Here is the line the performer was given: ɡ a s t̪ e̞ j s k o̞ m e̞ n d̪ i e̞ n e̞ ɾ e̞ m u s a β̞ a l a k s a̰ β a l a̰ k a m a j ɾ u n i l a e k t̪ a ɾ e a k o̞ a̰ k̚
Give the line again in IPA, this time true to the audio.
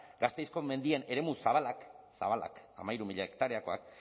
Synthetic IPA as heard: ɡ a s t̪ e̞ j s k o̞ m e̞ n d̪ i e̞ n e̞ ɾ e̞ m u s a β̞ a l a k s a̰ β a l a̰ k a m a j ɾ u m i ʎ a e k t̪ a ɾ e a k o̞ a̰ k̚